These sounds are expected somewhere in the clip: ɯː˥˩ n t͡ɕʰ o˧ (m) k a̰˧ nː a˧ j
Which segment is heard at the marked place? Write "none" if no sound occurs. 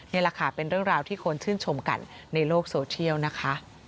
m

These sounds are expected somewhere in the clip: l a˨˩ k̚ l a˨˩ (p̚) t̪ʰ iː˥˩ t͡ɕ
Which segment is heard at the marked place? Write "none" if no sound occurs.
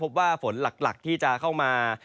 k̚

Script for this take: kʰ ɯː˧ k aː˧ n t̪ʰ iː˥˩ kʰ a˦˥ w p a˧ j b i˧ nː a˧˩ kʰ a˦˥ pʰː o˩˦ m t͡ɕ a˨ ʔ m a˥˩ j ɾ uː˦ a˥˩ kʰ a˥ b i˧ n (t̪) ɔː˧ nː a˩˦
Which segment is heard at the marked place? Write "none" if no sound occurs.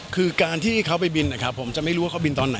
t̪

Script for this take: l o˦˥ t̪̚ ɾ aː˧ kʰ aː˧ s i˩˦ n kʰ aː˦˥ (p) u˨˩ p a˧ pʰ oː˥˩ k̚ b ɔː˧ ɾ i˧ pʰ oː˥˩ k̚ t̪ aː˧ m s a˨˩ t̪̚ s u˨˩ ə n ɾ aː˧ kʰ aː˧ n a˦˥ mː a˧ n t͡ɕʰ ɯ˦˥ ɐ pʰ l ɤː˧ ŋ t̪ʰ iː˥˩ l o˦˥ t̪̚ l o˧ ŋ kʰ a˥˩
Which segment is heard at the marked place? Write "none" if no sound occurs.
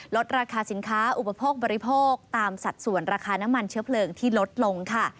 ʔ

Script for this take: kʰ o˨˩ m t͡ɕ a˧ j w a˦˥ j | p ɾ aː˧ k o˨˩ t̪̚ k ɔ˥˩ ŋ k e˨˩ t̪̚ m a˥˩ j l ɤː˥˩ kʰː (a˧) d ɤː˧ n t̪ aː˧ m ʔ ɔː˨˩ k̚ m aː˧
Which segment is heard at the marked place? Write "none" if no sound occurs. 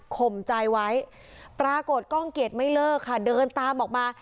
a˥˩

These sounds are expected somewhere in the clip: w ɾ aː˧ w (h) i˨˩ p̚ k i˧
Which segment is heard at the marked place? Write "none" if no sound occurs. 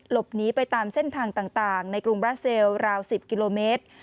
s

